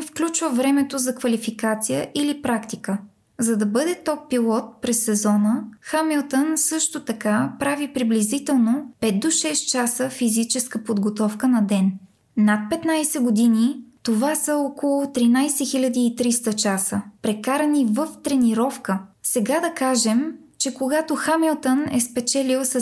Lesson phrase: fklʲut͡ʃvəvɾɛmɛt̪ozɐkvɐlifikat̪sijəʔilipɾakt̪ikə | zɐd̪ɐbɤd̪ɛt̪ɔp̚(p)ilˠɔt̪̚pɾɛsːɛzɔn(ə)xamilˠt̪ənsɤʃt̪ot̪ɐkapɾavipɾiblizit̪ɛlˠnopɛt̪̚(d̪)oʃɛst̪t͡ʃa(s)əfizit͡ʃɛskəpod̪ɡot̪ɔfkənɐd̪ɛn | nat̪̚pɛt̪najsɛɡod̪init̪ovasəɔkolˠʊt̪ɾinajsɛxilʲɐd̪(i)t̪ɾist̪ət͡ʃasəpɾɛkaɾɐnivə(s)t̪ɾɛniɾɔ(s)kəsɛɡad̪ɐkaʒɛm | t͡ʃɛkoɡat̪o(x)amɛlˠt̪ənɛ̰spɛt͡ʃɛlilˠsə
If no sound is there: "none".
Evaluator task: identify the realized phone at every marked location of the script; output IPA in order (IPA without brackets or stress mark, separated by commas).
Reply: p, ə, d̪, s, iː, f, f, x